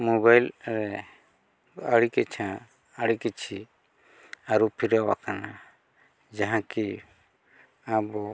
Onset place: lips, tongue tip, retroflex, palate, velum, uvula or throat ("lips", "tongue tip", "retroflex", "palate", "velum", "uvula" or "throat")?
lips